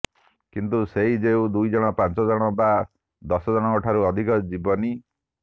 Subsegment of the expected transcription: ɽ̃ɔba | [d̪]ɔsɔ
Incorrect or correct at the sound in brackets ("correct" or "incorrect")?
correct